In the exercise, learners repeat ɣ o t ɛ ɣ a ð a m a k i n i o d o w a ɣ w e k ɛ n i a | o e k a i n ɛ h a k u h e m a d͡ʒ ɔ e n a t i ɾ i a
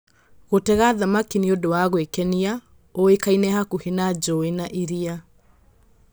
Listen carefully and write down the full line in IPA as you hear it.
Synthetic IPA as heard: ɣ o t ɛ ɣ a ð a m a k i n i o d o w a ɣ w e k ɛ n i a | o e k a i n ɛ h a k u h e n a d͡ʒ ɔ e n a ʔ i ɾ i a